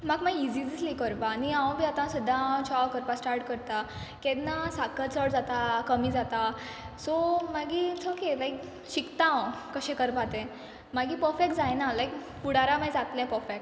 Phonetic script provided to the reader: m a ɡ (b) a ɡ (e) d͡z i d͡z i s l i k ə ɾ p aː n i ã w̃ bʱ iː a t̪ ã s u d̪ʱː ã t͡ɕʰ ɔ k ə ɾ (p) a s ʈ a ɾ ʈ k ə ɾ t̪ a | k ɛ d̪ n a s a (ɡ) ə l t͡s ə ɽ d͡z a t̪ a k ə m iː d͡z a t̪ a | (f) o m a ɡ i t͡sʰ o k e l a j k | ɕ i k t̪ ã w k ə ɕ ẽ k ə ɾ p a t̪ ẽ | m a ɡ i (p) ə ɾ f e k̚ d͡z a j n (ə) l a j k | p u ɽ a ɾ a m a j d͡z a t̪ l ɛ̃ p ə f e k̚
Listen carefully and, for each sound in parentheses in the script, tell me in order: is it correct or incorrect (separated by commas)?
incorrect, incorrect, correct, incorrect, incorrect, correct, incorrect